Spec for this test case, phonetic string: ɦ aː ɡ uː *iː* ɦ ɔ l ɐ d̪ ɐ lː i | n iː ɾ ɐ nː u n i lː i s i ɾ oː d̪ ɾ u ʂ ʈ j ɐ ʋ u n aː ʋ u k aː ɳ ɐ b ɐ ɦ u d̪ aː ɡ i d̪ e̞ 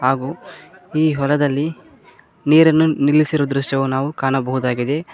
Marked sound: correct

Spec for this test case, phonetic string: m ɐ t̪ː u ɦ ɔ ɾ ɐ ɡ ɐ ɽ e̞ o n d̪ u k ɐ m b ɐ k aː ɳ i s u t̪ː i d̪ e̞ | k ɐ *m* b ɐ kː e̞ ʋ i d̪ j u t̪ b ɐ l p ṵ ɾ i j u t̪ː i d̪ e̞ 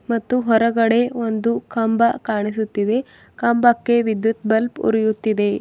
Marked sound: correct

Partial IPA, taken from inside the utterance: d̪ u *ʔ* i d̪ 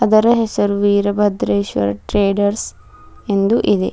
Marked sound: correct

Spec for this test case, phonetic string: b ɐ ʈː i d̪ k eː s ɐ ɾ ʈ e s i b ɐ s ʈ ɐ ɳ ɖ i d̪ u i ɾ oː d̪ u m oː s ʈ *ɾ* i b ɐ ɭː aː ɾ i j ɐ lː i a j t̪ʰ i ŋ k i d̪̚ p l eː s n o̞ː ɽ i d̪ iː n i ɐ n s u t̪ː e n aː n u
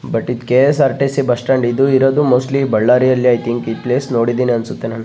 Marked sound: incorrect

